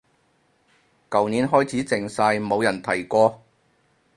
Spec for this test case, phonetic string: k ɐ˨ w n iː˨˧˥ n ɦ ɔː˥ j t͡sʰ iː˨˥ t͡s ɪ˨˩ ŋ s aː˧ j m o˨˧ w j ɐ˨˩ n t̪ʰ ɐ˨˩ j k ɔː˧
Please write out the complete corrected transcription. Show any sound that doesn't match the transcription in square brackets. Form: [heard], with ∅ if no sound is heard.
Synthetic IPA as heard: k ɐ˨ w n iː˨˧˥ n ɦ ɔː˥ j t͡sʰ iː˨˥ t͡s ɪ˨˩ ŋ s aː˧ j m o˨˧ w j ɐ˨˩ n t̪ʰ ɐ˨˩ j k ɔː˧